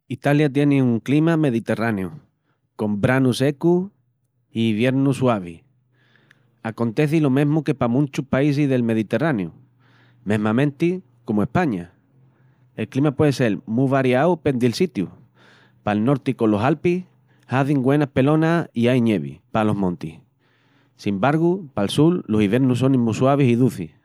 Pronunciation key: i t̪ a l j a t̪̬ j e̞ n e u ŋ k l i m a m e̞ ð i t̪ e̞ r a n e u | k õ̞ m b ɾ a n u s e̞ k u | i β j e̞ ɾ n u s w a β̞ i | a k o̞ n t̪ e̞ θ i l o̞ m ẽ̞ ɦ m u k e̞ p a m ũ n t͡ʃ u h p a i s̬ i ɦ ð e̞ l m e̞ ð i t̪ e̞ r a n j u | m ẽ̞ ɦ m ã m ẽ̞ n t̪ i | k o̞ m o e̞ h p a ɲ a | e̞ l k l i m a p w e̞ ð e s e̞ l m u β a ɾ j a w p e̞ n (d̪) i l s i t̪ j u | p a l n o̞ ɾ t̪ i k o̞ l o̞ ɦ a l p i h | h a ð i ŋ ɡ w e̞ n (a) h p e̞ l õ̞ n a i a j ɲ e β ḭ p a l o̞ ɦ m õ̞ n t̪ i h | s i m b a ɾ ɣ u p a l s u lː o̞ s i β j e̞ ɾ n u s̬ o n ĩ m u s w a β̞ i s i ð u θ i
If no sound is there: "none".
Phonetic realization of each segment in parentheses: d̪, a

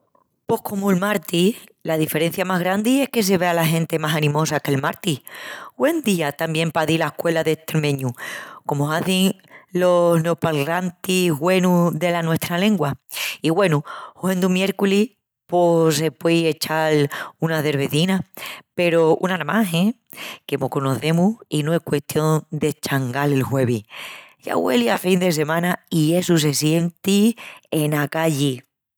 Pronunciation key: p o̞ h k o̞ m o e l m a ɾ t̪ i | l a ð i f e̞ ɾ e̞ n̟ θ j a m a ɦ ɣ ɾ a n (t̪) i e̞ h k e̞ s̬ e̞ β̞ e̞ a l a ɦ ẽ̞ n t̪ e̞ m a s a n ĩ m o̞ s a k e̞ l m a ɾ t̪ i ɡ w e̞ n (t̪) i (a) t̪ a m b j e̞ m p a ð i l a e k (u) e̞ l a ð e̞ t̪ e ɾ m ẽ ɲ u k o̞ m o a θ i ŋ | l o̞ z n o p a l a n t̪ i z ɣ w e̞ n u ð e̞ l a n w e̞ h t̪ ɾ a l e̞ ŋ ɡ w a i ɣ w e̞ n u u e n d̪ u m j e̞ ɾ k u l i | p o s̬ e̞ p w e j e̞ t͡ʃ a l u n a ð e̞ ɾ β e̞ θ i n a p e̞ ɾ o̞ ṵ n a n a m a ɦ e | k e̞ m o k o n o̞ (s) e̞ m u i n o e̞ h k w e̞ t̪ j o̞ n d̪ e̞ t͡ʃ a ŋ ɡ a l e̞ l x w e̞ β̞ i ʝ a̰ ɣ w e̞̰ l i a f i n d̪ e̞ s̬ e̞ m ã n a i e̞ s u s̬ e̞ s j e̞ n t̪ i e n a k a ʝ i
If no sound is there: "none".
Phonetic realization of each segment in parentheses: d̪, d̪, a, w, θ

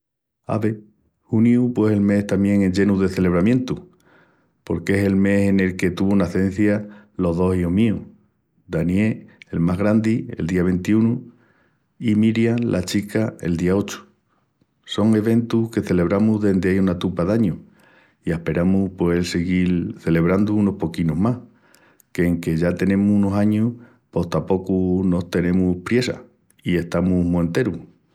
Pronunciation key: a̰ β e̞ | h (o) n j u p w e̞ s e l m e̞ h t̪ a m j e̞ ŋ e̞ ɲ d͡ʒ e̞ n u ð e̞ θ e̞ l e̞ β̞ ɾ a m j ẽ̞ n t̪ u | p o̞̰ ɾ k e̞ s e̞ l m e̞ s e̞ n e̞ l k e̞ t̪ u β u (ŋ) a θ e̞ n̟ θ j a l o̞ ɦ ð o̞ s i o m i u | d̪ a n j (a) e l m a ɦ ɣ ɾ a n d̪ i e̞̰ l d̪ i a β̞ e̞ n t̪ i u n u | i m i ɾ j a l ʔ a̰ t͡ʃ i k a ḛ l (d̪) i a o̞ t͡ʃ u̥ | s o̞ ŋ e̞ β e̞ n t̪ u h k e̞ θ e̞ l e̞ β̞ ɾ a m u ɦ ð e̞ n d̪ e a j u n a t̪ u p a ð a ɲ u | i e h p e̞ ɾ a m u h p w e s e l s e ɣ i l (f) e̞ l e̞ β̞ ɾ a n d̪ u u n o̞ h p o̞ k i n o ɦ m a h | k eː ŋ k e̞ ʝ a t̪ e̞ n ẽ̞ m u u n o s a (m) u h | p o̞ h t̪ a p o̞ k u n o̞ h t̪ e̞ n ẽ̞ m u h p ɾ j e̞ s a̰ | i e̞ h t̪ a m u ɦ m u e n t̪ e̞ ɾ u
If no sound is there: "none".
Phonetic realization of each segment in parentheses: u, n, e, d̪, θ, ɲ

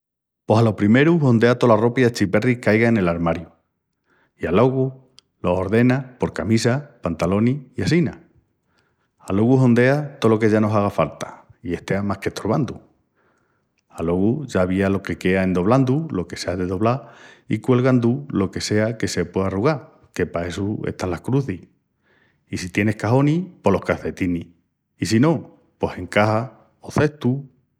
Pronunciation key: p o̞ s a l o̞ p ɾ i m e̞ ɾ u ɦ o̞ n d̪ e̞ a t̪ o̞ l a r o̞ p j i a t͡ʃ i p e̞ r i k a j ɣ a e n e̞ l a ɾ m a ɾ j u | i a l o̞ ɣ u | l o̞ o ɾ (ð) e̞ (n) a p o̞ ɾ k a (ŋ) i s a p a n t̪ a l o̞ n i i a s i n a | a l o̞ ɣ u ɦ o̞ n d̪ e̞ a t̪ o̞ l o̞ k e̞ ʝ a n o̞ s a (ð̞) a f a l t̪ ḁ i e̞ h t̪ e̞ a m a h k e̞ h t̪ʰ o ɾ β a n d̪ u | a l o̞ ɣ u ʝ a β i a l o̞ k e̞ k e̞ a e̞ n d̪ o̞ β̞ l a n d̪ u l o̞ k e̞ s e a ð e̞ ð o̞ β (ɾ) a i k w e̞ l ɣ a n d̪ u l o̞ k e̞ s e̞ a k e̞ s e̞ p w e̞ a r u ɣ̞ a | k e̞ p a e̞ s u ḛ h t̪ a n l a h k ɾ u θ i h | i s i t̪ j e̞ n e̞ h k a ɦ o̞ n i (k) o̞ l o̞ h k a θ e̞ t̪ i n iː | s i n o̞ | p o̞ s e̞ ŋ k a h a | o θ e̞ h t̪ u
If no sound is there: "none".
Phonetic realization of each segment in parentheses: ð, n, m, ɣ̞, l, p

